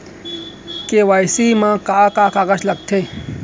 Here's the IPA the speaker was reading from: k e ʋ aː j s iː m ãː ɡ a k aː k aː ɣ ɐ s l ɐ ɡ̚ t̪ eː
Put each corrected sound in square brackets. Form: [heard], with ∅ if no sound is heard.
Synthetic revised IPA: k e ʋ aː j s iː m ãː [k] a k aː k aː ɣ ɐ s l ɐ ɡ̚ [t̪ʰ] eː